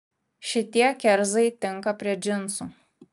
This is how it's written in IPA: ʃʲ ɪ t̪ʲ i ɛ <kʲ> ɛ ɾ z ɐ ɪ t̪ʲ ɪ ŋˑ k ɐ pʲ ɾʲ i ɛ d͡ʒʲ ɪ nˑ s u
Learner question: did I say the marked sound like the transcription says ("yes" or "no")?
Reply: yes